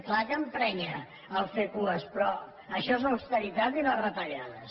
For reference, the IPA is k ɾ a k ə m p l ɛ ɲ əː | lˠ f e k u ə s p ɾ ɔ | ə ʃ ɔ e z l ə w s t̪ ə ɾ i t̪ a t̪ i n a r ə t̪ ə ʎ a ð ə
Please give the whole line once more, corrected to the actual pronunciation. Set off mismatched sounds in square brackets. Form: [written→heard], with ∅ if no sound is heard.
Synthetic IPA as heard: k [ɾ→l] a k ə m p [l→ɾ] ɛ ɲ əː | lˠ f e k u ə s p ɾ ɔ | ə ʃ ɔ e z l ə w s t̪ ə ɾ i t̪ a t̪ i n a r ə t̪ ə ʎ a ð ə